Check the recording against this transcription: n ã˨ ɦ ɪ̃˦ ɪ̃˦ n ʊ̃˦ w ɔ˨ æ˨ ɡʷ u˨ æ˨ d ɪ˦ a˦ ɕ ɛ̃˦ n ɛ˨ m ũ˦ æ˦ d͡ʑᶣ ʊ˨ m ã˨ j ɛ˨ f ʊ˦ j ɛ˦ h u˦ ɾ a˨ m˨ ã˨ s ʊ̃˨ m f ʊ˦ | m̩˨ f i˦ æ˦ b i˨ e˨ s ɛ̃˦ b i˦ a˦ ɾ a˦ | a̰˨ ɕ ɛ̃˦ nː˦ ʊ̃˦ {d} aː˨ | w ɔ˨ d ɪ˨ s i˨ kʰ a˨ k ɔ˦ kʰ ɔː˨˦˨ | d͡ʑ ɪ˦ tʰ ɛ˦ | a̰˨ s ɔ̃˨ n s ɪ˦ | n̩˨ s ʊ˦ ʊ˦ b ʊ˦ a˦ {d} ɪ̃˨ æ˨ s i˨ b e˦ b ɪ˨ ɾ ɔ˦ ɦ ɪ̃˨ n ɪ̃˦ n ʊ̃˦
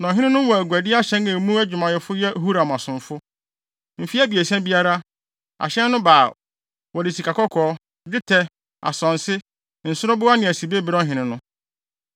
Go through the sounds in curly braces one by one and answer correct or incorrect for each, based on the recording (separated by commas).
incorrect, incorrect